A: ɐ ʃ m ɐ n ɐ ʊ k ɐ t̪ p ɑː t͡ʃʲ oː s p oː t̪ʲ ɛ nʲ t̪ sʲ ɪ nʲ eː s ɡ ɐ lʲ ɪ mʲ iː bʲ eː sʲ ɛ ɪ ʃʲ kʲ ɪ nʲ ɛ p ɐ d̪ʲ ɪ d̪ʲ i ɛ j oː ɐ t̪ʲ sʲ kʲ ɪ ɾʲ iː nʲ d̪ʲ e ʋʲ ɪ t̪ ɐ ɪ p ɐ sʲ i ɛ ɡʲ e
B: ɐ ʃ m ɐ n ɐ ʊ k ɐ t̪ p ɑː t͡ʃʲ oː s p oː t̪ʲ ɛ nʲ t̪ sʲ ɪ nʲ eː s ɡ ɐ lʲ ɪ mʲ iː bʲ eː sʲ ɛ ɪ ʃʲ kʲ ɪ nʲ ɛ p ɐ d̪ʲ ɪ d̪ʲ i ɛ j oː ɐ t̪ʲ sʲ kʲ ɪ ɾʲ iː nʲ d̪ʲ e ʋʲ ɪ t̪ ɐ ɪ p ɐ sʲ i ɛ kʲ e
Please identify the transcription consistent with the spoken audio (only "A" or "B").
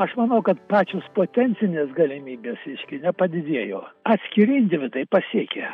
B